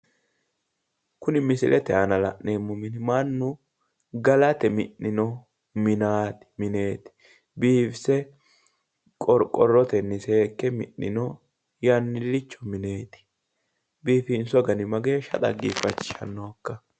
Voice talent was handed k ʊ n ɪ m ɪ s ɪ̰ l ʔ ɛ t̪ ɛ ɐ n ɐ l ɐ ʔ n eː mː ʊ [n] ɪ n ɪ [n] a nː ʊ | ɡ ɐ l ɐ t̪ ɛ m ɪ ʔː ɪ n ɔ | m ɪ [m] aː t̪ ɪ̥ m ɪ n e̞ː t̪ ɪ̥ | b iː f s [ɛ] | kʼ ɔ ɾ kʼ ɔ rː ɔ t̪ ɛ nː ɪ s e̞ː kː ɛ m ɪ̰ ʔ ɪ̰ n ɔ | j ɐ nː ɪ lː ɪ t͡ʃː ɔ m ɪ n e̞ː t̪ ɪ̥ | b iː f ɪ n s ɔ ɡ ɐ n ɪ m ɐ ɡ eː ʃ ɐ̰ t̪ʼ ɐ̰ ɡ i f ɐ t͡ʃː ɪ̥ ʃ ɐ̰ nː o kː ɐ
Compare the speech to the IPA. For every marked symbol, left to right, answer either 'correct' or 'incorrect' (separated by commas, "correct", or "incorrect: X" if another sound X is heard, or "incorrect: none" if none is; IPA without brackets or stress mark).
incorrect: m, incorrect: m, incorrect: n, correct